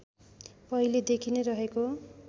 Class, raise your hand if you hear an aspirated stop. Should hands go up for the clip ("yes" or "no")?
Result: yes